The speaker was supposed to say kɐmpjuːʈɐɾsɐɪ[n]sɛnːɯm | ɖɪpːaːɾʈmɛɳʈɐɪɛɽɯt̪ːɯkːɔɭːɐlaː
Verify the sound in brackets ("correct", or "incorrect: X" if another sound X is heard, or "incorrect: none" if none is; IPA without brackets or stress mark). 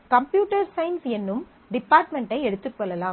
correct